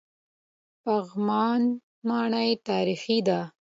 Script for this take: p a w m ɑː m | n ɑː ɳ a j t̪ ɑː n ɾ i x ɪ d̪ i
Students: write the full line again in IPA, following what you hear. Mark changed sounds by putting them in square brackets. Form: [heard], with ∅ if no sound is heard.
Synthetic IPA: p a [ɣ] m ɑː [n] | [m] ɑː ɳ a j t̪ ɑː [∅] ɾ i x [i] d̪ [a]

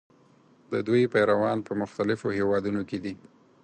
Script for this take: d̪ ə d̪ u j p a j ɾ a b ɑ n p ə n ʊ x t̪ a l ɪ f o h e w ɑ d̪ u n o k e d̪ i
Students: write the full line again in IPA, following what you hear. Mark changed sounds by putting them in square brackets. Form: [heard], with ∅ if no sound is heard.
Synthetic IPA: d̪ ə d̪ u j p a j ɾ a [w] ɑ n p ə [m] ʊ x t̪ a l ɪ f o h e w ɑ d̪ u n o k e d̪ i

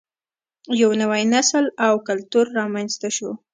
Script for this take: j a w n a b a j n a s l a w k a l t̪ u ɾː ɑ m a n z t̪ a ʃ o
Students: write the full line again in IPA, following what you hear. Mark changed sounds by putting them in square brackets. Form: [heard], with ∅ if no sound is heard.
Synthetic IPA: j a w n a [w] a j n a s l a w k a l t̪ u ɾː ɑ m a n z t̪ a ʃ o

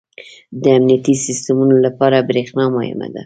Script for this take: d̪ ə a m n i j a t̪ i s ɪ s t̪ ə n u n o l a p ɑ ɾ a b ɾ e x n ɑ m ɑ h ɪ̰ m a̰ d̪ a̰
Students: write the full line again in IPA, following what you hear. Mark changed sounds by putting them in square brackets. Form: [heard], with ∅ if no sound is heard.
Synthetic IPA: d̪ ə a m n i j a t̪ i s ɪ s t̪ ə [m] u n o l a p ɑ ɾ a b ɾ e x n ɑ m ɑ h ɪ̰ m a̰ d̪ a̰

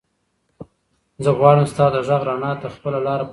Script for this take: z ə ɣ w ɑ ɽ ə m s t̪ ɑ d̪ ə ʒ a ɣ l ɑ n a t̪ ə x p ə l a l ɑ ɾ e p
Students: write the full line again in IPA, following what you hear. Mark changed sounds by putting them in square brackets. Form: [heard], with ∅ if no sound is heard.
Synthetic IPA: z ə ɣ w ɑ ɽ ə m s t̪ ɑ d̪ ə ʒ a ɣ [ɾ] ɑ n [ɑ] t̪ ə x p ə l a l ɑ ɾ [a] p

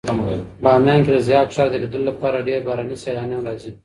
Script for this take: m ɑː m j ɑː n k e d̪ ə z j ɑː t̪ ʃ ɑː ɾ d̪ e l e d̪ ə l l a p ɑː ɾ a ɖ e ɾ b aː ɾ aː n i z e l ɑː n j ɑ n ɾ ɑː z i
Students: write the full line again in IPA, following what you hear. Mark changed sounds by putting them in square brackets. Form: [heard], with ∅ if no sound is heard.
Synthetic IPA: [b] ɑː m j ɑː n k e d̪ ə z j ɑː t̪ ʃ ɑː ɾ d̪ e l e d̪ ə l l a p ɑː ɾ a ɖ e ɾ b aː ɾ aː n i [s] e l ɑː n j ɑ n ɾ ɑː z i

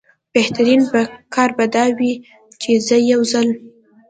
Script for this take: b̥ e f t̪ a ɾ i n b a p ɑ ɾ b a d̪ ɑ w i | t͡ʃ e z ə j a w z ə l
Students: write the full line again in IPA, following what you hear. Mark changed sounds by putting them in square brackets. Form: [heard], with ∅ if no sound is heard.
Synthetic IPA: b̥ e [h] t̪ a ɾ i n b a [k] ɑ ɾ b a d̪ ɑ w i | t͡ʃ e z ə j a w z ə l

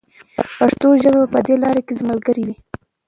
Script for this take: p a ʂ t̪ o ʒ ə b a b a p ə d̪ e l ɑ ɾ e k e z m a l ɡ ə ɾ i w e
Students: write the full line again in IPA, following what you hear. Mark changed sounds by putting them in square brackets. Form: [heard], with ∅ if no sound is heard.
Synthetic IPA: p a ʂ t̪ o ʒ ə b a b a p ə d̪ e l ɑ ɾ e k e z m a l ɡ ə ɾ i w [i]

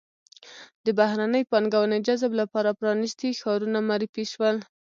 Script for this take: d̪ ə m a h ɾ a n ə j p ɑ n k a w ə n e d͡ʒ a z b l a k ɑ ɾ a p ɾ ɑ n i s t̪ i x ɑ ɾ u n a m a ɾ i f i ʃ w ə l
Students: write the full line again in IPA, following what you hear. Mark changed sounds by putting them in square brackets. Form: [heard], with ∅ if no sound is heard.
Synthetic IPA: d̪ ə [b] a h ɾ a n ə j p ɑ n [ɡ] a w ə n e d͡ʒ a z b l a [p] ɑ ɾ a p ɾ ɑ n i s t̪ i x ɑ ɾ u n a m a ɾ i f i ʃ w ə l

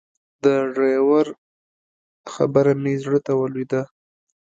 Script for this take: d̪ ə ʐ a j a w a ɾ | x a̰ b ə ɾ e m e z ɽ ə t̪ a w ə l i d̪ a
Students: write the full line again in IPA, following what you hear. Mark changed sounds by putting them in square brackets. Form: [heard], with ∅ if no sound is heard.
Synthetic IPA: d̪ ə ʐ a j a w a ɾ | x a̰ b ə ɾ [a] m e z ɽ ə t̪ a w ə l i d̪ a

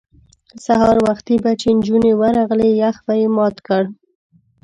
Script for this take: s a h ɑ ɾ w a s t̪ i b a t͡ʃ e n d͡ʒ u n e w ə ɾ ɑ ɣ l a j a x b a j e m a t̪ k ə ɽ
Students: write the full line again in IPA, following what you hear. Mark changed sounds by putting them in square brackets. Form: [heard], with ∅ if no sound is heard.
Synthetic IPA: s a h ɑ ɾ w a [x] t̪ i b a t͡ʃ e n d͡ʒ u n e w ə ɾ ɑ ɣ l [e] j a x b a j e m [ɑ] t̪ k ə ɽ

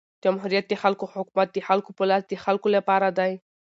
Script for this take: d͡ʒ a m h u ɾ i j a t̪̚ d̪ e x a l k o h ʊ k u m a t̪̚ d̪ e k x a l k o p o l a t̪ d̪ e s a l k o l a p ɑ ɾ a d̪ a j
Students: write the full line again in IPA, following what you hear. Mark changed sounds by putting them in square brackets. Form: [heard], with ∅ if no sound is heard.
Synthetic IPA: d͡ʒ a m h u ɾ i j a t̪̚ d̪ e x a l k o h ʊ k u m a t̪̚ d̪ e [∅] x a l k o p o l a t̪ d̪ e [x] a l k o l a p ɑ ɾ a d̪ a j

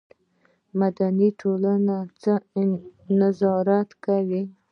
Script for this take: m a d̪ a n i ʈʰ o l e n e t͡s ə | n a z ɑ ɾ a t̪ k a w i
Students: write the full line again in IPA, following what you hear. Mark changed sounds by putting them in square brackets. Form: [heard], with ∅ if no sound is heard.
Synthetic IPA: m a d̪ a n i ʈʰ o l [a] n [a] t͡s ə | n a z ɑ ɾ a t̪ k a w i

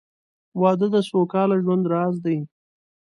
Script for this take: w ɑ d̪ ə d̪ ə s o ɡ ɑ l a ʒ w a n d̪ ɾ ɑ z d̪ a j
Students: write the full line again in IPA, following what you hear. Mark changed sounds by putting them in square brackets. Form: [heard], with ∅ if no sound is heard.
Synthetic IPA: w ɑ d̪ ə d̪ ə s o [k] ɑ l a ʒ w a n d̪ ɾ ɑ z d̪ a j

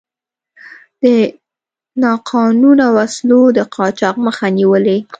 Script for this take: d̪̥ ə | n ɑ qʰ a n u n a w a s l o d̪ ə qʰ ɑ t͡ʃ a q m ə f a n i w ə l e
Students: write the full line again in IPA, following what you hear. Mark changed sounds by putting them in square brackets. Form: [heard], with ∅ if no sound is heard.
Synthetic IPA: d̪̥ ə | n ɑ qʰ [ɑ] n u n a w a s l o d̪ ə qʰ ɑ t͡ʃ [ɑ] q m ə [x] a n i w ə l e

